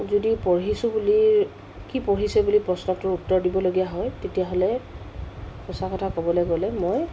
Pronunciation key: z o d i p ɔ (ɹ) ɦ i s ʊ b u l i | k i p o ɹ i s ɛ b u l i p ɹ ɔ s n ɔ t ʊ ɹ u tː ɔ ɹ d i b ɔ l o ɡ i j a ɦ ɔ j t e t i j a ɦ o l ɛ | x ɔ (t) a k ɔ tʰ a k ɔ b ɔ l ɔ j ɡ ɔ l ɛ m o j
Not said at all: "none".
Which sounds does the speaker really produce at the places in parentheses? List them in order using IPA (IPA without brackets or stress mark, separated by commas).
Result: ɹ, s